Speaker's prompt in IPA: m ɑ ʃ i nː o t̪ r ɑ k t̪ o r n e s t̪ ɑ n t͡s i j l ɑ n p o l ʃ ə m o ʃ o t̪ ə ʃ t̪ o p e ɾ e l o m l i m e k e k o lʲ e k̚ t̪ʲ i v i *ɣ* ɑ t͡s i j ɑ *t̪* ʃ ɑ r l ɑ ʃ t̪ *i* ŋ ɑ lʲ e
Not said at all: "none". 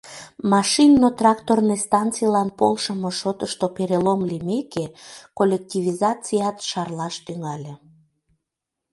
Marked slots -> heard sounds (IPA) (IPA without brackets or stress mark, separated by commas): z, t̪, y